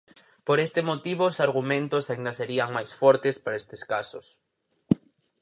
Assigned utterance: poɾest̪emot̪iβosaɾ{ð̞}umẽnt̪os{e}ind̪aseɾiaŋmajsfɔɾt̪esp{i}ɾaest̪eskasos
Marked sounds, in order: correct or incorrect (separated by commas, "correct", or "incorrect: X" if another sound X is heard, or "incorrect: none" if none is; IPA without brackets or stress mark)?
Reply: incorrect: ɣ̞, incorrect: a, incorrect: a